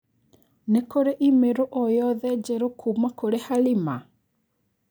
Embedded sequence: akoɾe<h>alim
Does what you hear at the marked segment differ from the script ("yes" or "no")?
no